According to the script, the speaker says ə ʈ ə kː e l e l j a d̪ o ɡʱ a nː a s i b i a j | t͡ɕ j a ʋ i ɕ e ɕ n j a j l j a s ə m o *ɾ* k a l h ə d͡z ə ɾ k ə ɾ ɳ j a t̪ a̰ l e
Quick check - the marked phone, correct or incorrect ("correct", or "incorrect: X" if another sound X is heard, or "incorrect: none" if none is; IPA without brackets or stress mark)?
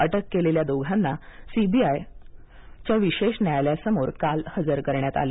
correct